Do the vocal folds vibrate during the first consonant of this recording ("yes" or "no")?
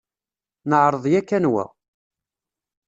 yes